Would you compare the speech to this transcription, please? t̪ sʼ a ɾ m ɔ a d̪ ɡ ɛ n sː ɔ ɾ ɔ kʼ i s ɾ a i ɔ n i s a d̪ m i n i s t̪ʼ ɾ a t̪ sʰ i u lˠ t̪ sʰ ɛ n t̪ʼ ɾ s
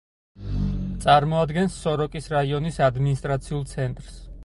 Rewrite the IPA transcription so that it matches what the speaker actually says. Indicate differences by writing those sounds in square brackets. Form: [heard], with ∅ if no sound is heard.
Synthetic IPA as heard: t̪ sʼ a ɾ m ɔ a d̪ ɡ ɛ n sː ɔ ɾ ɔ kʼ i s ɾ a i ɔ n i s a d̪ m i n i s t̪ʼ ɾ a t̪ sʰ i u lˠ t̪ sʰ ɛ n t̪ʼ ɾ s

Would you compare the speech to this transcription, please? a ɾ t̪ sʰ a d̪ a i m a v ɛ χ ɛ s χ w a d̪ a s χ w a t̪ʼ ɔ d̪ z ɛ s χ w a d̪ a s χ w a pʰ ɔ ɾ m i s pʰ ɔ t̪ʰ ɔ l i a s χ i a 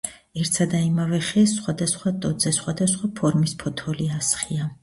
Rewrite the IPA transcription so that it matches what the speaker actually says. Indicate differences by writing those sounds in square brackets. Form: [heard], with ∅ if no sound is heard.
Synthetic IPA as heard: [ɛ] ɾ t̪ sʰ a d̪ a i m a v ɛ χ ɛ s χ w a d̪ a s χ w a t̪ʼ ɔ d̪ z ɛ s χ w a d̪ a s χ w a pʰ ɔ ɾ m i s pʰ ɔ t̪ʰ ɔ l i a s χ i a

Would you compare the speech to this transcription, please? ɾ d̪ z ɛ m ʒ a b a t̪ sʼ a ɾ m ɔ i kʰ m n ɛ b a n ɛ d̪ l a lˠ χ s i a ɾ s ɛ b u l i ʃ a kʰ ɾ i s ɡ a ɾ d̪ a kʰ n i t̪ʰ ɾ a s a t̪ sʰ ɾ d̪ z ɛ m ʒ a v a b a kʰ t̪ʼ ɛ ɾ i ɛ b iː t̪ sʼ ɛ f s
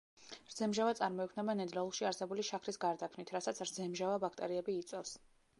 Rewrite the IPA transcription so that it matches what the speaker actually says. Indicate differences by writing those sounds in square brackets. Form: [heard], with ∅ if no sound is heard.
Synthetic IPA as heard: ɾ d̪ z ɛ m ʒ a [v] a t̪ sʼ a ɾ m ɔ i kʰ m n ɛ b a n ɛ d̪ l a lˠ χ [ʃ] i a ɾ s ɛ b u l i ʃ a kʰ ɾ i s ɡ a ɾ d̪ a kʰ n i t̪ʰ ɾ a s a t̪ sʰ ɾ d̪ z ɛ m ʒ a v a b a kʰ t̪ʼ ɛ ɾ i ɛ b iː t̪ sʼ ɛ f s

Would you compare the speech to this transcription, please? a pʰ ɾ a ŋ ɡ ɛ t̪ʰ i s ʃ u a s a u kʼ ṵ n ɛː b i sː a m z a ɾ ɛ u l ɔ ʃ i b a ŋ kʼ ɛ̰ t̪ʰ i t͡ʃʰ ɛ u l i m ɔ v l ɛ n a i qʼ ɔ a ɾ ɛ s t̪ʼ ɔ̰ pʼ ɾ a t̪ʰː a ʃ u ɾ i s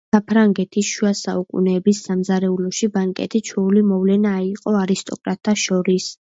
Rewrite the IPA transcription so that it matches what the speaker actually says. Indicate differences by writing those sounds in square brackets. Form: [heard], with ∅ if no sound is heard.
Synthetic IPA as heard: a pʰ ɾ a ŋ ɡ ɛ t̪ʰ i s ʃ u a s a u kʼ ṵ n ɛː b i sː a m z a ɾ ɛ u l ɔ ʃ i b a ŋ kʼ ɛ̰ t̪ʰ i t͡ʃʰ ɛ u l i m ɔ v l ɛ n a i qʼ ɔ a ɾ [i] s t̪ʼ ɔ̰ [kʼ] ɾ a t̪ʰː a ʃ [ɔ] ɾ i s

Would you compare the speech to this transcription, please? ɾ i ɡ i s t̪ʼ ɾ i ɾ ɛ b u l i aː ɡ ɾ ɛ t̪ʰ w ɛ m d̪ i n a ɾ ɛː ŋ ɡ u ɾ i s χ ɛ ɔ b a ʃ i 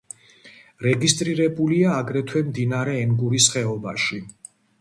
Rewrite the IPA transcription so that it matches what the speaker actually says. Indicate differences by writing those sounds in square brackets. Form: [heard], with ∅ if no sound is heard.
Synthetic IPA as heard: ɾ [ɛ] ɡ i s t̪ʼ ɾ i ɾ ɛ b u l i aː ɡ ɾ ɛ t̪ʰ w ɛ m d̪ i n a ɾ ɛː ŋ ɡ u ɾ i s χ ɛ ɔ b a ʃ i

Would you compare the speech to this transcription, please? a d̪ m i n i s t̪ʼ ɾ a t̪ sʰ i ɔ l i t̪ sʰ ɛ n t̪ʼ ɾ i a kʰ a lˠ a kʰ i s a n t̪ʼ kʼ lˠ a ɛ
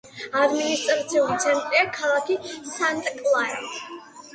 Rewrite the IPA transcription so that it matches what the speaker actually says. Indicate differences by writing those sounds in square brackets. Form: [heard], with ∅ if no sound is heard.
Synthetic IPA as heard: a d̪ m i n i s t̪ʼ ɾ a t̪ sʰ i [u] l i t̪ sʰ ɛ n t̪ʼ ɾ i a kʰ a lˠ a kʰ i s a n t̪ʼ kʼ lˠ a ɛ

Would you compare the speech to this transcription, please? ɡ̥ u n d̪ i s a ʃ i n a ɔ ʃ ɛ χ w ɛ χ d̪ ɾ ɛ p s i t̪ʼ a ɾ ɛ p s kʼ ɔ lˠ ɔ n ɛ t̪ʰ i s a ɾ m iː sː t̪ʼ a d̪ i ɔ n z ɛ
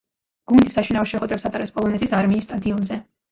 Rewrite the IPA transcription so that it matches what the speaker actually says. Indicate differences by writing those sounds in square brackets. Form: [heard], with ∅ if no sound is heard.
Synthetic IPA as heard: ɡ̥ u n d̪ i s a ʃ i n a ɔ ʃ ɛ χ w ɛ [∅] d̪ ɾ ɛ p s [a] t̪ʼ a ɾ ɛ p s [pʼ] ɔ lˠ ɔ n ɛ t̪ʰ i s a ɾ m iː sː t̪ʼ a d̪ i ɔ n z ɛ

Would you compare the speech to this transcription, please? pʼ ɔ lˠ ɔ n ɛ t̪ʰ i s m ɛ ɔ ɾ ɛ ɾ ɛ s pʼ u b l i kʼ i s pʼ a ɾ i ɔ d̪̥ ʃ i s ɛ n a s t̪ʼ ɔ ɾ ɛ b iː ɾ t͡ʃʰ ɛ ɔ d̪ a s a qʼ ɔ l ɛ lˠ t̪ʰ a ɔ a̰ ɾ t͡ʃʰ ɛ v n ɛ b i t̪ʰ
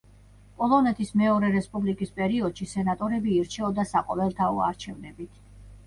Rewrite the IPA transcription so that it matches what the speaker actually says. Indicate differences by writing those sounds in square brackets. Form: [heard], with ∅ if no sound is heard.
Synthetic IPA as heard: pʼ ɔ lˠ ɔ n ɛ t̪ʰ i s m ɛ ɔ ɾ ɛ ɾ ɛ s pʼ u b l i kʼ i s pʼ [ɛ] ɾ i ɔ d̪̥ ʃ i s ɛ n a [∅] t̪ʼ ɔ ɾ ɛ b iː ɾ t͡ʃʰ ɛ ɔ d̪ a s a qʼ ɔ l ɛ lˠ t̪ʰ a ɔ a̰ ɾ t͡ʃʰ ɛ v n ɛ b i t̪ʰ

